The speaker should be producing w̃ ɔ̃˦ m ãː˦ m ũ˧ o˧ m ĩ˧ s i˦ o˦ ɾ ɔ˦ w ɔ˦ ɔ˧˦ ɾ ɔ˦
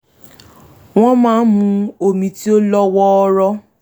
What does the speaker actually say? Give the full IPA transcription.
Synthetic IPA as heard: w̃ ɔ̃˦ m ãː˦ m ũ˧ o˧ m ĩ˧ t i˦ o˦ l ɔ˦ w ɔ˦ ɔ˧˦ ɾ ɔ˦